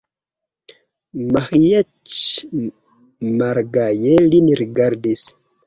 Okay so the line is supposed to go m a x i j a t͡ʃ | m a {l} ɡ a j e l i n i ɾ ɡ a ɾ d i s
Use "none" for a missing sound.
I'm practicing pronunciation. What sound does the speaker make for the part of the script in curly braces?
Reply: ɾ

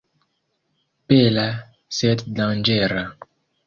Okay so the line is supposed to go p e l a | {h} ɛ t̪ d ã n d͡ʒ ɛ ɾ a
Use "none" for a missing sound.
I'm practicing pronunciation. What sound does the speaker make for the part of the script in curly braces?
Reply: s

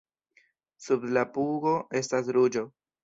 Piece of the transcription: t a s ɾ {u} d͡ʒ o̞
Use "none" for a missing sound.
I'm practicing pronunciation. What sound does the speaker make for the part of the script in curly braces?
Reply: u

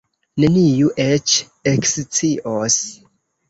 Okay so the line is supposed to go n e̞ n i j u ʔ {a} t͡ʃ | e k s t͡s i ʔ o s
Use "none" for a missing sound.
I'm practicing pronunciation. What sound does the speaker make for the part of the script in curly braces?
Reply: e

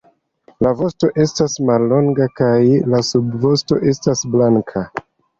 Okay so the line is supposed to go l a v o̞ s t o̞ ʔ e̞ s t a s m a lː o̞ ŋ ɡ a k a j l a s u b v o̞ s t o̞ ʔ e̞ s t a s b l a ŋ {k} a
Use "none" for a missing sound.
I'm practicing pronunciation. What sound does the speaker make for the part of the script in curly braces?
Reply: kʰ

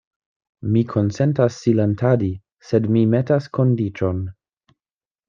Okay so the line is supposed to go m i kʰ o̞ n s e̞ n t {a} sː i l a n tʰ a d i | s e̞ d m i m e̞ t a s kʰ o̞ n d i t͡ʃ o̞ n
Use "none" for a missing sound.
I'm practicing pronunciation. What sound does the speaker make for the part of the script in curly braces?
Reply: a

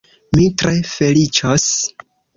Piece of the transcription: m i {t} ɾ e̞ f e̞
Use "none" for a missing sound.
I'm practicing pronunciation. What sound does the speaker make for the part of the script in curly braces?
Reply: t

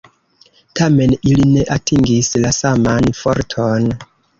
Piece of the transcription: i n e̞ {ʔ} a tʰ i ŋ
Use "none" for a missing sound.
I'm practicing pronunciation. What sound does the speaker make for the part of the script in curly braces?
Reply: ʔ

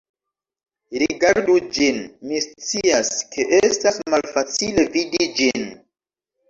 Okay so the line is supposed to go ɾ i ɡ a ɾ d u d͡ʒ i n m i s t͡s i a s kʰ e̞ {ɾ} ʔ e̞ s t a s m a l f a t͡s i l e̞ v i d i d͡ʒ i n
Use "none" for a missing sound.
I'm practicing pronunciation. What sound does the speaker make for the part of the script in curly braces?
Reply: none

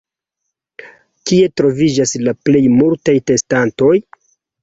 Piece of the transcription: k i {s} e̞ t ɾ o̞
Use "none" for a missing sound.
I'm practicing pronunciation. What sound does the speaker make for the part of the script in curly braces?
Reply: none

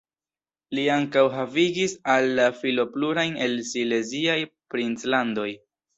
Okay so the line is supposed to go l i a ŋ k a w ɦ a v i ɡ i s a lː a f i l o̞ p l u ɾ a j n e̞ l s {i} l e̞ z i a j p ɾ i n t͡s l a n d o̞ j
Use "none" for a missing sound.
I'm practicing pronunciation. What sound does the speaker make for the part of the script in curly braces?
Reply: i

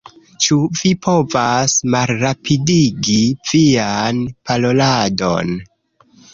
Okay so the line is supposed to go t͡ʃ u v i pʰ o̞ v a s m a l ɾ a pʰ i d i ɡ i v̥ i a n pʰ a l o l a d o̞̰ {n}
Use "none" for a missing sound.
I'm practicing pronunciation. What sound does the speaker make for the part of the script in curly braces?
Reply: n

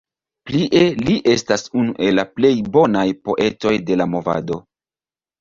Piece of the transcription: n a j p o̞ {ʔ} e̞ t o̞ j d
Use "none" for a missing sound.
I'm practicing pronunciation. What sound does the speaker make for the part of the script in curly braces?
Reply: ʔ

